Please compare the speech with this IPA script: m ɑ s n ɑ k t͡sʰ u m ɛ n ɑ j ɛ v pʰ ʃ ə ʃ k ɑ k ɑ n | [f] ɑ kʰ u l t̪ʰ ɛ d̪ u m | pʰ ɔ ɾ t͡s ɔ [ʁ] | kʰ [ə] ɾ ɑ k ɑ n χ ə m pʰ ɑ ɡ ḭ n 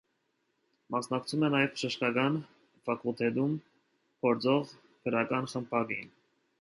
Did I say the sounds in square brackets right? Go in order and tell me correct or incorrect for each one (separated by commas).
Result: correct, correct, correct